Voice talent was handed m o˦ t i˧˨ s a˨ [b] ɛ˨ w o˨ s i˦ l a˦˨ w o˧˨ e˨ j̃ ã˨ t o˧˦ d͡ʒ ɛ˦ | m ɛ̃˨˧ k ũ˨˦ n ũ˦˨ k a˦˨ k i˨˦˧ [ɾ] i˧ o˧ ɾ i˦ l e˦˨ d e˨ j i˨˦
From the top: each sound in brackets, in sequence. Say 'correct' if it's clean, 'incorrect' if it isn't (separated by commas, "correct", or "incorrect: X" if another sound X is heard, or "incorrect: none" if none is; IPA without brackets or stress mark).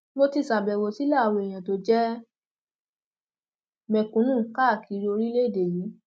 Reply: correct, correct